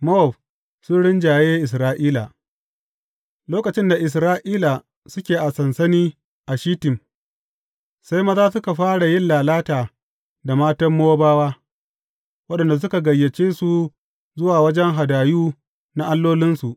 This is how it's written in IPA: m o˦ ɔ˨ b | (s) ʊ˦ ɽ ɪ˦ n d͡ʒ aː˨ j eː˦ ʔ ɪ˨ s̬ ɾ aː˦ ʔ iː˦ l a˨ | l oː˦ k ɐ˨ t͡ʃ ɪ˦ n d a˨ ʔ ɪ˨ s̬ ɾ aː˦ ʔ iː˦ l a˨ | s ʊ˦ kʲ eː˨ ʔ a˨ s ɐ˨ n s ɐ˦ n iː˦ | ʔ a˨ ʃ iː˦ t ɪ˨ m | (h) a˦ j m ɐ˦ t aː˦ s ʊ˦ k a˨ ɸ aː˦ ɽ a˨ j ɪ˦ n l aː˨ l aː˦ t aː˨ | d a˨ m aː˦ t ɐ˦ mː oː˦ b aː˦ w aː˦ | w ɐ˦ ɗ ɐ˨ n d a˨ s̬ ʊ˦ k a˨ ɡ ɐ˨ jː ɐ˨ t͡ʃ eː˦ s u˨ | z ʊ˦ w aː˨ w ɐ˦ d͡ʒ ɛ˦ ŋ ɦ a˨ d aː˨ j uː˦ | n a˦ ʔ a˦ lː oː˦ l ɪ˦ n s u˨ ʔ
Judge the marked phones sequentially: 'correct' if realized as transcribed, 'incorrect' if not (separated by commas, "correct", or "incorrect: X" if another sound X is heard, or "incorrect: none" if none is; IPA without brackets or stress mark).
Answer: correct, incorrect: s